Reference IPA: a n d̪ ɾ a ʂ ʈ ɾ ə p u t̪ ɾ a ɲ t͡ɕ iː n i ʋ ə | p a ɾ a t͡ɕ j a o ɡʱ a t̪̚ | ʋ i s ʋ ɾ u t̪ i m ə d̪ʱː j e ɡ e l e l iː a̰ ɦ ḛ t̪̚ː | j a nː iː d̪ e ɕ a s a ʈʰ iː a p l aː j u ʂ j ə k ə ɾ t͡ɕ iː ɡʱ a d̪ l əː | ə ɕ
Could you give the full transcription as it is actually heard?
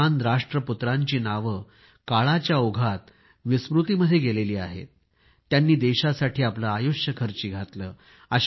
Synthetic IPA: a n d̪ ɾ a ʂ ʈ ɾ ə p u t̪ ɾ a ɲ t͡ɕ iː n a ʋ ə | k a ɭ a t͡ɕ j a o ɡʱ a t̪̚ | ʋ i s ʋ ɾ u t̪ i m ə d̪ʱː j e ɡ e l e l iː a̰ ɦ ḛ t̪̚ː | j a nː iː d̪ e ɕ a s a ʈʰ iː a p l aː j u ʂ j ə kʰ ə ɾ t͡ɕ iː ɡʱ a t̪ l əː | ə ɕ

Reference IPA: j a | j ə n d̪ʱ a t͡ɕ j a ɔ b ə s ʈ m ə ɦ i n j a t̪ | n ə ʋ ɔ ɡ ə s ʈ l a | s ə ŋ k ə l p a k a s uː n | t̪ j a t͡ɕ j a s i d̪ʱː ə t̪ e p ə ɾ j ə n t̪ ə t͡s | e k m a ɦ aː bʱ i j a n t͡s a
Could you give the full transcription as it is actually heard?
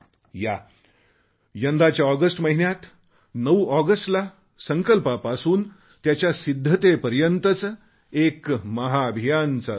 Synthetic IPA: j a | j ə n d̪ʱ a t͡ɕ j a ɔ ɡ ə s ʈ m ə ɦ i n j a t̪ | n ə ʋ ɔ ɡ ə s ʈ l a | s ə ŋ k ə l p a p a s uː n | t̪ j a t͡ɕ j a s i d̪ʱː ə t̪ e p ə ɾ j ə n t̪ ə t͡s | e k m ə ɦ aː bʱ i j a n t͡s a

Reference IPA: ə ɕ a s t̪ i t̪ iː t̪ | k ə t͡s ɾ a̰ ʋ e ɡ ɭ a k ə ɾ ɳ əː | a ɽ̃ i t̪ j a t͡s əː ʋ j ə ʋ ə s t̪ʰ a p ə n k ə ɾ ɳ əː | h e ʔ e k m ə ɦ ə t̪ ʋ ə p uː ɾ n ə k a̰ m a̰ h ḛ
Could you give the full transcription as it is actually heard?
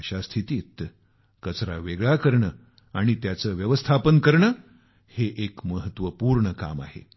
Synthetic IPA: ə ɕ a s t̪ʰ i t̪ iː t̪ | k ə t͡s ɾ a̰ ʋ e ɡ ɭ a k ə ɾ ɳ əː | a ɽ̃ i t̪ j a t͡s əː ʋ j ə ʋ ə s t̪ʰ a p ə n k ə ɾ ɳ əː | h e ʔ e k m ə ɦ ə t̪ ʋ ə p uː ɾ ɳ ə k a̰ m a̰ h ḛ

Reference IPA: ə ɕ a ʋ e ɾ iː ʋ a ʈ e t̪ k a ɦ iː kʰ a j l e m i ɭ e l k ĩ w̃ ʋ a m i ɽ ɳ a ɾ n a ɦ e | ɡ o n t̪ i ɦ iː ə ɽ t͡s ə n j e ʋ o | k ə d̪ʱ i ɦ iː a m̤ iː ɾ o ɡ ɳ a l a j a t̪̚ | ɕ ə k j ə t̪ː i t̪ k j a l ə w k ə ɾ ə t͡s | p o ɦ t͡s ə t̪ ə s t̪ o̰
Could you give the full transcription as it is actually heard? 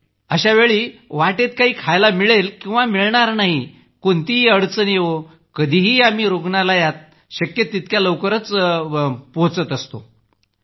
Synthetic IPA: ə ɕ a ʋ e ɭ iː ʋ a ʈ e t̪ k a ɦ iː kʰ a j l a m i ɭ e l k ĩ w̃ ʋ a m i ɭ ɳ a ɾ n a ɦ i | k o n t̪ i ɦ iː ə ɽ t͡s ə n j e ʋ o | k ə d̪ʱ i ɦ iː a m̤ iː ɾ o ɡ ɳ a l a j a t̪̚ | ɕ ə k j ə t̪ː i t̪ k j a l ə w k ə ɾ ə t͡s | p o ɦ t͡s ə t̪ ə s t̪ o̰

